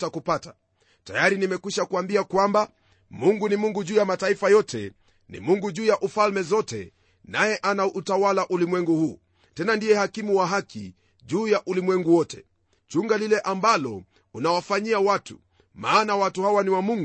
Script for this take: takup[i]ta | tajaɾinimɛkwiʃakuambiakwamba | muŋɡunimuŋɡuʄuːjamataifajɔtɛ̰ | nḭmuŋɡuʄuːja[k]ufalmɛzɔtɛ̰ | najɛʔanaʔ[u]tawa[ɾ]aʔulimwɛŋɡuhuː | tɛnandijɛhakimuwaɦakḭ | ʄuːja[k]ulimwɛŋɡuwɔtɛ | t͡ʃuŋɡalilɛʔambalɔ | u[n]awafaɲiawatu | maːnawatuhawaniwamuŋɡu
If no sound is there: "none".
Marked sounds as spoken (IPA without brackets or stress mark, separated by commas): a, ʔ, u, l, ʔ, n